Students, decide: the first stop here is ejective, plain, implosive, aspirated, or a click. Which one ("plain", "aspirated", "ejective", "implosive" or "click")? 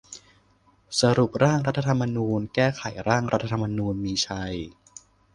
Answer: plain